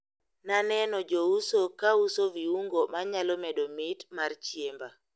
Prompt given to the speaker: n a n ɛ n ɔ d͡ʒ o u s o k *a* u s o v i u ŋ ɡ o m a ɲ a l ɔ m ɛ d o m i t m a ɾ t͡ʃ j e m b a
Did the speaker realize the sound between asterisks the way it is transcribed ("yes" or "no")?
yes